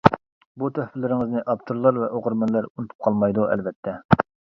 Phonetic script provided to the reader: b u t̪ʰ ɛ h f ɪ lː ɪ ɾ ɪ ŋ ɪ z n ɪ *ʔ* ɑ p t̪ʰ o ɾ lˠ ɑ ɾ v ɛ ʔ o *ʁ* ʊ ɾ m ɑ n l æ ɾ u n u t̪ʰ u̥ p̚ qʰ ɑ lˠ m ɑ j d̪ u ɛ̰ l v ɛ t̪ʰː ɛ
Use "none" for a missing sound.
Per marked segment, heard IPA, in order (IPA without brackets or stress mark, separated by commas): ʔ, ʁ